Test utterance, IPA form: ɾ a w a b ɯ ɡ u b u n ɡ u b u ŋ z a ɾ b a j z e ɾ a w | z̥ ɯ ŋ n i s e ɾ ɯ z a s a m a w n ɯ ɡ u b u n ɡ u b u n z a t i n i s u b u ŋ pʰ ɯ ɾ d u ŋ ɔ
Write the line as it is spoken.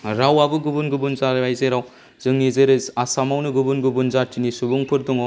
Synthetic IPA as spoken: ɾ a w a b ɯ ɡ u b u n ɡ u b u n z a ɾ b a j z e ɾ a w | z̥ ɯ ŋ n i z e ɾ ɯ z a s a m a w n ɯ ɡ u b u n ɡ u b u n z a t i n i s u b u ŋ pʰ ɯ ɾ d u ŋ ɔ